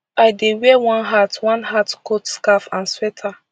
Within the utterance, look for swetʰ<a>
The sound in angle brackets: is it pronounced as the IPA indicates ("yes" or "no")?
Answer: yes